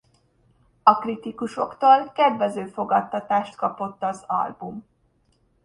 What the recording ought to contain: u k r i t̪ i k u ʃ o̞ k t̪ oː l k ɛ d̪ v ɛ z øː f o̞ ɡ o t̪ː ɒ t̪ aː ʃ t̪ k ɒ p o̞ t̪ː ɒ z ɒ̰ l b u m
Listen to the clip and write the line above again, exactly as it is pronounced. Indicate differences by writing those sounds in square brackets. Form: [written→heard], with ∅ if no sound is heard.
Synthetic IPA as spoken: [u→ɒ] k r i t̪ i k u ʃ o̞ k t̪ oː l k ɛ d̪ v ɛ z øː f o̞ ɡ [o→ɒ] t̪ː ɒ t̪ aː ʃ t̪ k ɒ p o̞ t̪ː ɒ z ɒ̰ l b u m